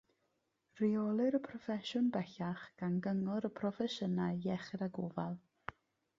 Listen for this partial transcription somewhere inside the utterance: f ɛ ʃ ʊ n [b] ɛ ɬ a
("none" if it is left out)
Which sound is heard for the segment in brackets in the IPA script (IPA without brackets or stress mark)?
b